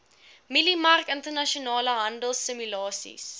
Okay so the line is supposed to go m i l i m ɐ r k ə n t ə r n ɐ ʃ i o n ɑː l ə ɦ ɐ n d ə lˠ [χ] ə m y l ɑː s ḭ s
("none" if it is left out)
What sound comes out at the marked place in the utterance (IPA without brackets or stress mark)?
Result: s